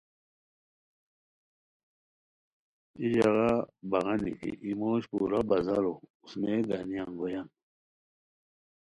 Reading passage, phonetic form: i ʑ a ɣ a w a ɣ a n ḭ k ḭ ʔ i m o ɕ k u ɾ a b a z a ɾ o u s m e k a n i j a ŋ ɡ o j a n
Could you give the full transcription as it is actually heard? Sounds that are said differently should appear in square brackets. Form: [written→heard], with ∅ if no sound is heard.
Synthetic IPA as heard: i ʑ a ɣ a [w→b] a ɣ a n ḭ k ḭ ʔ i m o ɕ [k→p] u ɾ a b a z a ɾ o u s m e [k→ɡ] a n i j a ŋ ɡ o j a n